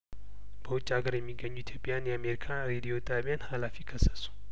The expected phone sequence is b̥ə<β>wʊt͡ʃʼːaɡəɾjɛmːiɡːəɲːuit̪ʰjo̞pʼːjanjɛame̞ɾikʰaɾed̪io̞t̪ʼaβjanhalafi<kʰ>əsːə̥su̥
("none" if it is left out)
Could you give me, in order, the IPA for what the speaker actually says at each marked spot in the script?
none, kʰ

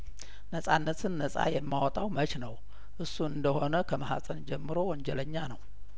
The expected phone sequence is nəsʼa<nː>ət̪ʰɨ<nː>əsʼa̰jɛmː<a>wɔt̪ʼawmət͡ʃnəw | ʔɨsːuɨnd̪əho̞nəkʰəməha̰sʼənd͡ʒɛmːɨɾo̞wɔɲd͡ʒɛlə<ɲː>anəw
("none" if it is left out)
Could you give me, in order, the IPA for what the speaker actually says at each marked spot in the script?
nː, nː, a, ɲː

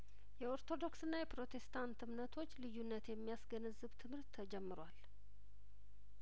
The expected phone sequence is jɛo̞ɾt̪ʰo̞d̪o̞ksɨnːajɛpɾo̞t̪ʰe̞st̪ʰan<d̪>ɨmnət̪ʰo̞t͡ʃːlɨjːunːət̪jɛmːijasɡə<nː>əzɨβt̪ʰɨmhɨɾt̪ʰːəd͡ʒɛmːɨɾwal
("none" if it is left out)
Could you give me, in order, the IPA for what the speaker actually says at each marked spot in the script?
t̪, n

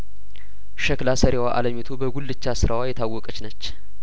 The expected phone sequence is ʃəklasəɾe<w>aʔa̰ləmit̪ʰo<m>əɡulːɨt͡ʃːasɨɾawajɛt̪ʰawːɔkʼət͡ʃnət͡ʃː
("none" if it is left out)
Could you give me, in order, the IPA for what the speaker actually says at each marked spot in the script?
w, b

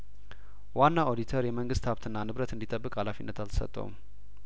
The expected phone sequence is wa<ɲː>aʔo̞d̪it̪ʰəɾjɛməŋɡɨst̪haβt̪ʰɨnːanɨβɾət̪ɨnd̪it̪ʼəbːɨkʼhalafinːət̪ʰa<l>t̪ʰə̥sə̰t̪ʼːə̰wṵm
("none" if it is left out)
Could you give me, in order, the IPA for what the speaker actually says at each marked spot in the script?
nː, l

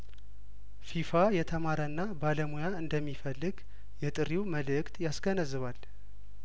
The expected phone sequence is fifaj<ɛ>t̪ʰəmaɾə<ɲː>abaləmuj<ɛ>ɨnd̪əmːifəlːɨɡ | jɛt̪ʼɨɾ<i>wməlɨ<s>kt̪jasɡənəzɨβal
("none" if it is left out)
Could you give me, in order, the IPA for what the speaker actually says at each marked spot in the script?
ɛ, nː, a, i, none

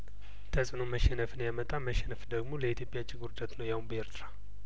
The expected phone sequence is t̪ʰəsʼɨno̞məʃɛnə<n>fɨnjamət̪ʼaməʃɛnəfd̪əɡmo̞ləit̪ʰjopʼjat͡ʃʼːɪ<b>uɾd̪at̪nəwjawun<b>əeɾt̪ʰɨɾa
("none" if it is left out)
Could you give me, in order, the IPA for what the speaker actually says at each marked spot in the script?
none, ɡ, b

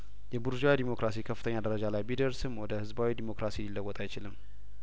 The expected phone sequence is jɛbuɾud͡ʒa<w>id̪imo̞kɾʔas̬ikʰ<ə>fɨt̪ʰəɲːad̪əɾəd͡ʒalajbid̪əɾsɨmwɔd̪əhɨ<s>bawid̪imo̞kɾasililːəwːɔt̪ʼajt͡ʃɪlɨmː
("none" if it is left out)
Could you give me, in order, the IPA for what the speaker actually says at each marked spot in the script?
w, ə, z

